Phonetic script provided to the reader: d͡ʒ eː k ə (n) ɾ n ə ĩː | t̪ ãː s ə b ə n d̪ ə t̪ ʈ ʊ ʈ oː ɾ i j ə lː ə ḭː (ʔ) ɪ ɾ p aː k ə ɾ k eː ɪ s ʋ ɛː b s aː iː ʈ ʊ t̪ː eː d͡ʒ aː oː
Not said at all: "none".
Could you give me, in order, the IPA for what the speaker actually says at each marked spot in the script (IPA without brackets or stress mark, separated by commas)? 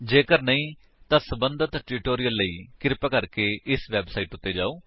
none, k